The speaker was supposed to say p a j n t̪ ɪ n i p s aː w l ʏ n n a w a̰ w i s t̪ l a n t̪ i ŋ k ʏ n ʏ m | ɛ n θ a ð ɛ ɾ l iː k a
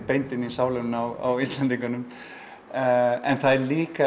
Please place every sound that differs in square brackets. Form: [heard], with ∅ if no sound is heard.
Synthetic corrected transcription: p [e] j n t̪ ɪ n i [∅] s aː w l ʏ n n a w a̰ w i s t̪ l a n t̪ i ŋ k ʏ n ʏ m | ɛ n θ a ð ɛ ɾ l iː k a